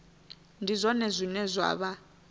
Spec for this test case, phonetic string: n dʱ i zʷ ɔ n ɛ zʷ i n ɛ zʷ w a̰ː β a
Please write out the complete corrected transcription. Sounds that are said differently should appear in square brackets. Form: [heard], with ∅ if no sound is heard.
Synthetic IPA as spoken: n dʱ i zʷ ɔ n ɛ zʷ i n ɛ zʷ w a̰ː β a